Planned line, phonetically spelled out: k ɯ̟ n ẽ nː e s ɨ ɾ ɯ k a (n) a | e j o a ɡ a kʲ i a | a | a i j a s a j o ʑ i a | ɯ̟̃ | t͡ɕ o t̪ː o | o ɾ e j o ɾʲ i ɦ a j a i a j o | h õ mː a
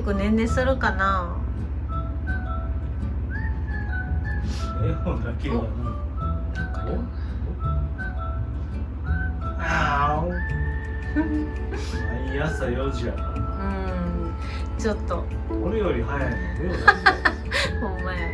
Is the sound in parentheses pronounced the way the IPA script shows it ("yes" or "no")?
yes